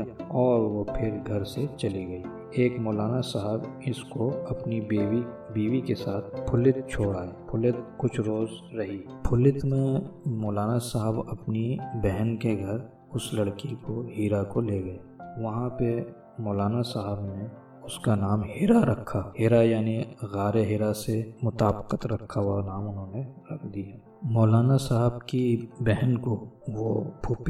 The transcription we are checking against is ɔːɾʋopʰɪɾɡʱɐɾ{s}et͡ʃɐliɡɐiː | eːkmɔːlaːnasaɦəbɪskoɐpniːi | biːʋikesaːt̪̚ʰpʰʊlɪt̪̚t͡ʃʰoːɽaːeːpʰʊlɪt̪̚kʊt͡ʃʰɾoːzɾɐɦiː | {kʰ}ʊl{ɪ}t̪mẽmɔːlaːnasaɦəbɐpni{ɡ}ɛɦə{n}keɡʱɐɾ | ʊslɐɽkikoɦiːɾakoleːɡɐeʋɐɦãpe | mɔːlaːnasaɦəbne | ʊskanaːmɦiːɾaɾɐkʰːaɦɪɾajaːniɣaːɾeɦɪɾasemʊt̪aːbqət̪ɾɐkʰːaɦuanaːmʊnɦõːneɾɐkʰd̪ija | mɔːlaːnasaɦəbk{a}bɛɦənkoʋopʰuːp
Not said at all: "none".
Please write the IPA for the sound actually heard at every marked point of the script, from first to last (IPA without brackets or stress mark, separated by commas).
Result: s, pʰ, ɪ, b, n, i